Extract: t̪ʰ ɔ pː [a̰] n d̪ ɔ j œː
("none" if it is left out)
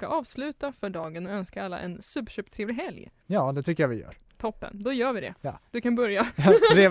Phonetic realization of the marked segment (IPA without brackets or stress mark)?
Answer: ə̰